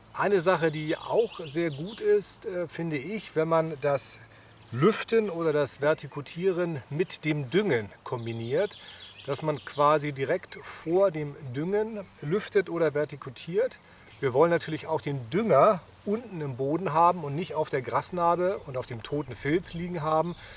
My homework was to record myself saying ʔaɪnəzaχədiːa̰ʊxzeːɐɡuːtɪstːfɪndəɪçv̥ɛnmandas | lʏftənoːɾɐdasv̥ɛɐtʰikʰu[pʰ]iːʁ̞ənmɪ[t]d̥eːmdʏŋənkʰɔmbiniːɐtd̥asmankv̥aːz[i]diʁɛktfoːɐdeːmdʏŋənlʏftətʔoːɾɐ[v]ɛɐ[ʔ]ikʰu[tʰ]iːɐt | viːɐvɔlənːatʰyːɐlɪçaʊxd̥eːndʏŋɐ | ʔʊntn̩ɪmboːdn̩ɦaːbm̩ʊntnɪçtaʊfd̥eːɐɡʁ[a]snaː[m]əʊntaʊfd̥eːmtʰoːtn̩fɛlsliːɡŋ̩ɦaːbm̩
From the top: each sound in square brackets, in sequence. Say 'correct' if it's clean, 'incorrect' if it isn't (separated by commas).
incorrect, correct, correct, correct, incorrect, correct, correct, incorrect